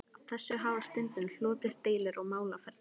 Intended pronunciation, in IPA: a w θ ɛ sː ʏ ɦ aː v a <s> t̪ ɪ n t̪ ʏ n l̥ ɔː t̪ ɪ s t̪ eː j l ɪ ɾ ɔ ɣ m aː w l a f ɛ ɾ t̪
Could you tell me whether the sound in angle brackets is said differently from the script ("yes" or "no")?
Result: no